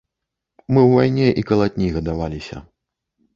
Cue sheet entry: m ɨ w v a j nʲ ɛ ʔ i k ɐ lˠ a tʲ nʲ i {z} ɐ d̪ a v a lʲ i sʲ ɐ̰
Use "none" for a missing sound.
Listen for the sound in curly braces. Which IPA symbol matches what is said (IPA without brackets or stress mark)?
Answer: ɣ